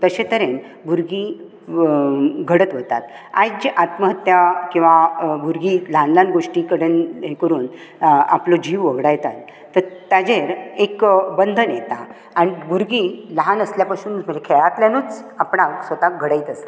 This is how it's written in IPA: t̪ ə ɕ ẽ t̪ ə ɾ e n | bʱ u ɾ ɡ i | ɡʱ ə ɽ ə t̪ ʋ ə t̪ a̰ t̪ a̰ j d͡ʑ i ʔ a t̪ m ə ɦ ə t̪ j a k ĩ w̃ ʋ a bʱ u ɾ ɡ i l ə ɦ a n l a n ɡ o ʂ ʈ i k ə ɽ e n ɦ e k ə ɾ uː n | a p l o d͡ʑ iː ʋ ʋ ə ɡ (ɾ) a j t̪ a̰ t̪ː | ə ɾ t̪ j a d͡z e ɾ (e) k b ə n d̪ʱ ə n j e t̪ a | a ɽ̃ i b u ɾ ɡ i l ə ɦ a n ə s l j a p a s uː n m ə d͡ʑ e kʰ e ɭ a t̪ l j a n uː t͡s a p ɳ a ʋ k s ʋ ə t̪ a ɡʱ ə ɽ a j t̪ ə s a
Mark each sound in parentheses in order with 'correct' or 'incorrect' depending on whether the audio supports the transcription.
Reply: incorrect, correct

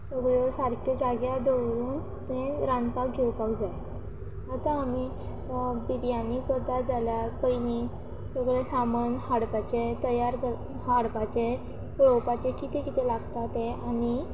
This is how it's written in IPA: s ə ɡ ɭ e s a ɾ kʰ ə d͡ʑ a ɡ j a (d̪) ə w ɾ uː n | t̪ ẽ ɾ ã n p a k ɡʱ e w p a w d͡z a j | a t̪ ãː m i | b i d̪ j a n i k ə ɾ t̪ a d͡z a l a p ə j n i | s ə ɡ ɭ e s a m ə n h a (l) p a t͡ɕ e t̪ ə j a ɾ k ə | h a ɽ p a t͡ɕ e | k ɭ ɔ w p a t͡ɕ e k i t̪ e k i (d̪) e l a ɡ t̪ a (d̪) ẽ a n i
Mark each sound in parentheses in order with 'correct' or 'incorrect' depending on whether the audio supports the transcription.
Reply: correct, incorrect, incorrect, incorrect

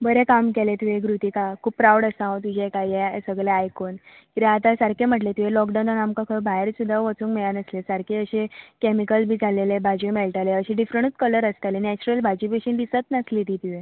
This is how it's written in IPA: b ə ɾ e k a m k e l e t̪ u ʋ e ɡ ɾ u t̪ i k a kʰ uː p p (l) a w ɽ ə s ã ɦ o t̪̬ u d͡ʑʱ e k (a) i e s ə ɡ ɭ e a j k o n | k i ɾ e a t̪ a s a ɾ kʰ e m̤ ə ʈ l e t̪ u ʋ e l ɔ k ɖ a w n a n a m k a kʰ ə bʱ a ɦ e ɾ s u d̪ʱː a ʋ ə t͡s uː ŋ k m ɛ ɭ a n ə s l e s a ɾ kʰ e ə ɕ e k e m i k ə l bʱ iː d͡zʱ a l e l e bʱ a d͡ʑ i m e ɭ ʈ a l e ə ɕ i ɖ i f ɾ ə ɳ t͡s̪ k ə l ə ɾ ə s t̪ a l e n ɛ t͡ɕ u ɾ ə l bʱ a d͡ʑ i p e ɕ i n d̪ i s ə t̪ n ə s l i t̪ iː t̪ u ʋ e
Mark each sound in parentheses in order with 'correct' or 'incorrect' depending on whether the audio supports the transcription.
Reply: incorrect, correct

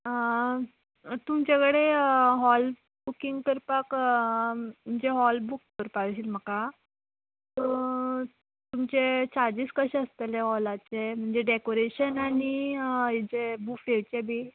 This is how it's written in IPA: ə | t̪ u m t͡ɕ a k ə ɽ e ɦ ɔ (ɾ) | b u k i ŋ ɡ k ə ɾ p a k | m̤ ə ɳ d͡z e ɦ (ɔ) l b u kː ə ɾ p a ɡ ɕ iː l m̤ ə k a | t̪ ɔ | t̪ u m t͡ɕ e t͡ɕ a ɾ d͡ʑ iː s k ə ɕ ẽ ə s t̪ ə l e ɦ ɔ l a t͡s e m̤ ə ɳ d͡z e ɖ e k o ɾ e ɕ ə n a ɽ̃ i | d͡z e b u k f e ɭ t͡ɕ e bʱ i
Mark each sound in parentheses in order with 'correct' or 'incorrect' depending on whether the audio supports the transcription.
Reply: incorrect, correct

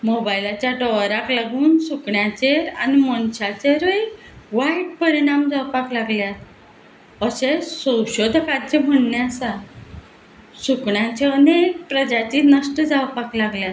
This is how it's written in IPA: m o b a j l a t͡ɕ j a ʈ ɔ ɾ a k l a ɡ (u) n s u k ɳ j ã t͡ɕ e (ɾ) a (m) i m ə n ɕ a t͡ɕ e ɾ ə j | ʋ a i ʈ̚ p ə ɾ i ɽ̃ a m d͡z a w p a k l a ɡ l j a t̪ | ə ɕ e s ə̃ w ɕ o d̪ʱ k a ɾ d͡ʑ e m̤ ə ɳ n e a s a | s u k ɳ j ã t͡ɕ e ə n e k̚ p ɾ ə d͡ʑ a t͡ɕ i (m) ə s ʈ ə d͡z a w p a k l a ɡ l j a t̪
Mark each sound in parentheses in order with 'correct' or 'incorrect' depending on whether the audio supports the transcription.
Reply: incorrect, correct, incorrect, incorrect

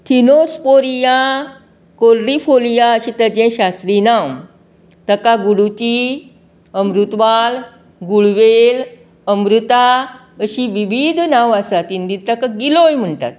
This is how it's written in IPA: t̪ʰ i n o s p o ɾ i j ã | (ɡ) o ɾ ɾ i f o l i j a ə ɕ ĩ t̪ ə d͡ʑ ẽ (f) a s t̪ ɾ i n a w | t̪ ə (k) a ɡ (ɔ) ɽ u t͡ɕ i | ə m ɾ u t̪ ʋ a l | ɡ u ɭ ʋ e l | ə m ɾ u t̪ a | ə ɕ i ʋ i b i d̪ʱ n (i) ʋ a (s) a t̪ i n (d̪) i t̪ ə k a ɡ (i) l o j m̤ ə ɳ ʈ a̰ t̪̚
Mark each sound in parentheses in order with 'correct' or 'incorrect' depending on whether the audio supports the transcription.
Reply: incorrect, incorrect, correct, incorrect, incorrect, correct, correct, correct

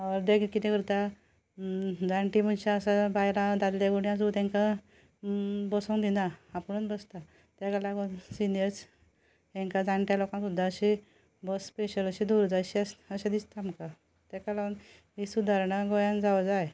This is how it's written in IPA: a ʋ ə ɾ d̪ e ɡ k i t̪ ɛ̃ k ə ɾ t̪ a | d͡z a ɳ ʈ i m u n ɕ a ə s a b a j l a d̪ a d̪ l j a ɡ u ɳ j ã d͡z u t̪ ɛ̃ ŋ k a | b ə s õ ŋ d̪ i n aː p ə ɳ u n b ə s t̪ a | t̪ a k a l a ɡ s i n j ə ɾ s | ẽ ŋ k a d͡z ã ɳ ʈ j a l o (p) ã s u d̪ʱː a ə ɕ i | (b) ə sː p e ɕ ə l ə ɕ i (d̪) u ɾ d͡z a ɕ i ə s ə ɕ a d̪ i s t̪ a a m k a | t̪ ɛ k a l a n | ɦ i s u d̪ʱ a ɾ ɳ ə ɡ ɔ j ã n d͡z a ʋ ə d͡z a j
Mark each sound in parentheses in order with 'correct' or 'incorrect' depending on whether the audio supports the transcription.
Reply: incorrect, correct, correct

